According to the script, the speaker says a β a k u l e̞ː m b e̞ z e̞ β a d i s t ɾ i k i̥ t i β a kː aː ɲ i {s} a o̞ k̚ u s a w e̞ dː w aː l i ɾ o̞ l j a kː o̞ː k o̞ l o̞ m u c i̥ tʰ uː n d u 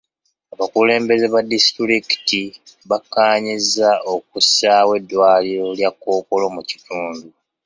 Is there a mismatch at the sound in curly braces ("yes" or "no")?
yes